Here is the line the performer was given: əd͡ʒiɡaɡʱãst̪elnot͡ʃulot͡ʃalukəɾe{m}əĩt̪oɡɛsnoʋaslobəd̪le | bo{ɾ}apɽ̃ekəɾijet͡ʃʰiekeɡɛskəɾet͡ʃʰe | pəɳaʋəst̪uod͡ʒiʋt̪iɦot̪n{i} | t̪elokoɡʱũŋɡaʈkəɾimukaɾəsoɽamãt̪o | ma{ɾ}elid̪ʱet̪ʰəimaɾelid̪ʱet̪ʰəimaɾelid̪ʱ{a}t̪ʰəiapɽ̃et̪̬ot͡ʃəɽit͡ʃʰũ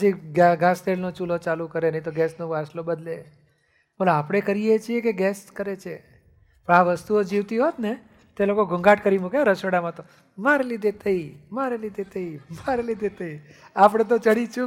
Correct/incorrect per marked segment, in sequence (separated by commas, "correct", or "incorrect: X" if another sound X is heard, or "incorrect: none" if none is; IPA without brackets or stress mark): incorrect: n, incorrect: l, incorrect: e, correct, incorrect: e